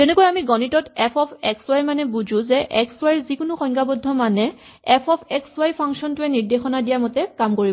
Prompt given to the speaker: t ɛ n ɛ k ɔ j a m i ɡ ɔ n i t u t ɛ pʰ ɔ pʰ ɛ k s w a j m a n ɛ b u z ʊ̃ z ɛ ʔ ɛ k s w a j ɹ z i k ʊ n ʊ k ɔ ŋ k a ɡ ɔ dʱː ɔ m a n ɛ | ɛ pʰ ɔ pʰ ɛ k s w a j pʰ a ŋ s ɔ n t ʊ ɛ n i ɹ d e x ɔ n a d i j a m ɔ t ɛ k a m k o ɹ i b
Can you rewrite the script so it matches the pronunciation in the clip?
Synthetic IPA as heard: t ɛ n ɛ k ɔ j a m i ɡ ɔ n i t ɔ t ɛ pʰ ɔ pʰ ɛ k s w a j m a n ɛ b u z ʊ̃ z ɛ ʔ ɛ k s w a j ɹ z i k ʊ n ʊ x ɔ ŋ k a b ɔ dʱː ɔ m a n ɛ | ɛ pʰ ɔ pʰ ɛ k s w a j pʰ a ŋ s ɔ n t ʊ ɛ n i ɹ d e x ɔ n a d i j a m ɔ t ɛ k a m k o ɹ i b